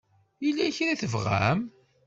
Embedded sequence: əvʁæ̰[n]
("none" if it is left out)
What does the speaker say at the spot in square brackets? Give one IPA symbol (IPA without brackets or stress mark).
m